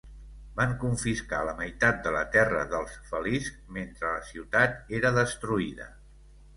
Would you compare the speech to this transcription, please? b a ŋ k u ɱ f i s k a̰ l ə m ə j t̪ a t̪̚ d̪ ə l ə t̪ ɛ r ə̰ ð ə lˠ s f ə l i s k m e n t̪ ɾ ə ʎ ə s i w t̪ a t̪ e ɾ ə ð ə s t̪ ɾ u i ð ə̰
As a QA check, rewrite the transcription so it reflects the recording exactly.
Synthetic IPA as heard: b a ŋ k u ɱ f i s k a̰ l ə m ə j t̪ a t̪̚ d̪ ə l ə t̪ ɛ r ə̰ ð ə lˠ s f ə l i s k m e n t̪ ɾ ə l ə s i w t̪ a t̪ e ɾ ə ð ə s t̪ ɾ u i ð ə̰